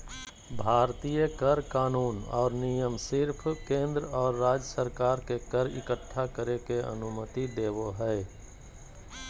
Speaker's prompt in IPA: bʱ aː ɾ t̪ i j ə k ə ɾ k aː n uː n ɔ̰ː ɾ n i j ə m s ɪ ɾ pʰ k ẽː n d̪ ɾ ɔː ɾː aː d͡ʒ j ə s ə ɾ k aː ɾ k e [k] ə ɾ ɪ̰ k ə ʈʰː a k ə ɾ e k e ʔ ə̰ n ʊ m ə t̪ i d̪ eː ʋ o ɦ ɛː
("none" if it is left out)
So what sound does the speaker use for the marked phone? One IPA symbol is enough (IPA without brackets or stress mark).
k